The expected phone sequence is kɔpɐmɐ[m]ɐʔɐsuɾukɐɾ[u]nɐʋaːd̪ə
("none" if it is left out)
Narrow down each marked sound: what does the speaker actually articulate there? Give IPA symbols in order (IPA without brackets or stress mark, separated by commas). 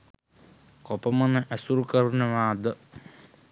n, u